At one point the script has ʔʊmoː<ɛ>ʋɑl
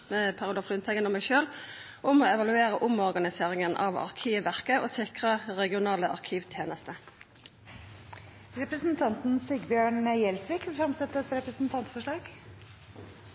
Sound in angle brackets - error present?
no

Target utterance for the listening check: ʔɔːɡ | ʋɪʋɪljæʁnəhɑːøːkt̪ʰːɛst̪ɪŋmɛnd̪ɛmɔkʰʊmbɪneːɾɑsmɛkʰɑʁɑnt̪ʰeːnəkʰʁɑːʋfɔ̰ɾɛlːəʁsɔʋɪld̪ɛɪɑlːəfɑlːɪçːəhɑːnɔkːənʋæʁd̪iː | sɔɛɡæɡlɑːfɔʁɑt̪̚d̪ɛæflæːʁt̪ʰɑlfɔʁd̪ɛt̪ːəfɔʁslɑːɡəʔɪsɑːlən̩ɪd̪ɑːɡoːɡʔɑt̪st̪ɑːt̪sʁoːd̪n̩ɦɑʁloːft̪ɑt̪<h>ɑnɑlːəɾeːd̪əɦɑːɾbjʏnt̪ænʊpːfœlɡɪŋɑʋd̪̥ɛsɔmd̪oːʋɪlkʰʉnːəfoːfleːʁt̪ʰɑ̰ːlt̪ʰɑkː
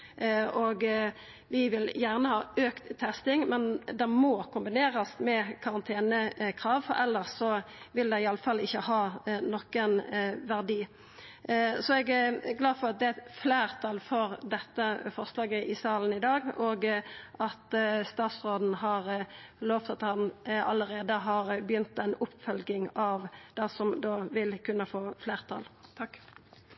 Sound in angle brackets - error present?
no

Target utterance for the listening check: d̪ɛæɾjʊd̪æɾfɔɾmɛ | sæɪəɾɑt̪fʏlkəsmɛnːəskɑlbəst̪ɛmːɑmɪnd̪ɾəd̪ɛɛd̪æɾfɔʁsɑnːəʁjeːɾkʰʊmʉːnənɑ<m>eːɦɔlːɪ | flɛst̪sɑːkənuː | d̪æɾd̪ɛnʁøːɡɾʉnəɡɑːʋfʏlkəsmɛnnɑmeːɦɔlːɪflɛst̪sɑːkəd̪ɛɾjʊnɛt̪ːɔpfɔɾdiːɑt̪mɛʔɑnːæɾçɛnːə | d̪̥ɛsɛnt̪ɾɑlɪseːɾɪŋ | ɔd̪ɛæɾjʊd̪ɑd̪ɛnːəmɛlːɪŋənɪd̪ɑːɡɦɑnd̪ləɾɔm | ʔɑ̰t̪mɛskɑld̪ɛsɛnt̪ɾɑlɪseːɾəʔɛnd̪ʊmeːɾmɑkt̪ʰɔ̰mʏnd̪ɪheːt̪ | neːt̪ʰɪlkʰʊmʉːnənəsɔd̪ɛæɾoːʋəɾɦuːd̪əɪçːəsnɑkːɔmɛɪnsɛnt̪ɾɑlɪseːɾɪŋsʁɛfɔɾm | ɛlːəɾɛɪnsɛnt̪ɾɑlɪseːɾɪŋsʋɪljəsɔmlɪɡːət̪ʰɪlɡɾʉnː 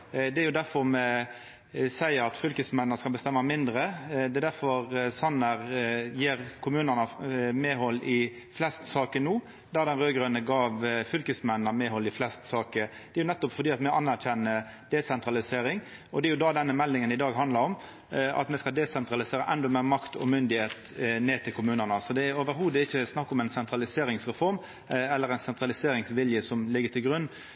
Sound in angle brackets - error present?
no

